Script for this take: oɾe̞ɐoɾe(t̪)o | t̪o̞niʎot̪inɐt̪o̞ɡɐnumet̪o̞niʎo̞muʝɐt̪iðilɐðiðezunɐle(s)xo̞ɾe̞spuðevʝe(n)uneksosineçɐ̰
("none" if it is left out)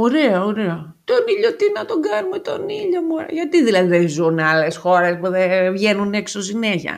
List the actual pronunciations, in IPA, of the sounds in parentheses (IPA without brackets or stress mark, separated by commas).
none, s, n